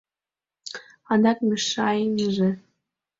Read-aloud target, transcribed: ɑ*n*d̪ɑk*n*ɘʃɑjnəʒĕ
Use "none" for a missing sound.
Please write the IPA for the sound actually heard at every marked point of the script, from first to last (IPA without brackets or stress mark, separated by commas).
n, m